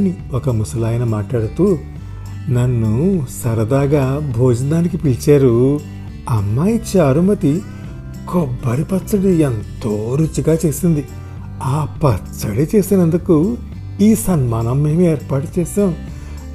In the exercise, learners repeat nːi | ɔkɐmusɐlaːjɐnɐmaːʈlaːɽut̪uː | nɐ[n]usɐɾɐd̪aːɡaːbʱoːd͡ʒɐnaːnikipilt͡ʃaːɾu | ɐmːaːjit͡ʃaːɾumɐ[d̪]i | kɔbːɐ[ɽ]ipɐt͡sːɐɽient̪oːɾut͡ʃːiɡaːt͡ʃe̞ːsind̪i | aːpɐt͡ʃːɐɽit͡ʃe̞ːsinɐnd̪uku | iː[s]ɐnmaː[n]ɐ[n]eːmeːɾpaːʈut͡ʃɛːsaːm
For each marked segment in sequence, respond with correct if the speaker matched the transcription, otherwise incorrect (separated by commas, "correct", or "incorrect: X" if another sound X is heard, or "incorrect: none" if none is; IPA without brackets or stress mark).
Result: incorrect: nː, incorrect: t̪, incorrect: ɾ, correct, correct, incorrect: m